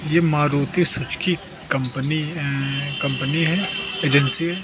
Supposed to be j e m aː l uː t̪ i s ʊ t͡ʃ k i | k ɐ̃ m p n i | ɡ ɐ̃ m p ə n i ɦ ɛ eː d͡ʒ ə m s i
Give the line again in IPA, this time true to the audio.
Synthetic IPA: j e m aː ɾ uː t̪ i s ʊ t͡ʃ k i | k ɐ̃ m p n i | k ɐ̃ m p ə n i ɦ ɛ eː d͡ʒ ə n s i